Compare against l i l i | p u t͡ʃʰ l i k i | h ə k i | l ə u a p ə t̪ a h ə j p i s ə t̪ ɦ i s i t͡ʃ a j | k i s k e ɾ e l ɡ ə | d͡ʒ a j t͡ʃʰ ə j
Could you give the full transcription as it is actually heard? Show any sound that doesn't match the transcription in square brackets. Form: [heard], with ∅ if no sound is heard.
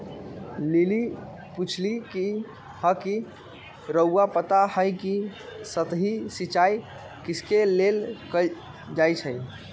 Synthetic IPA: l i l i | p u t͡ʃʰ l i k i | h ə k i | [ɾ] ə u a p ə t̪ a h ə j [k] i s ə t̪ ɦ i s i t͡ʃ a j | k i s k e [l] e l [k] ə | d͡ʒ a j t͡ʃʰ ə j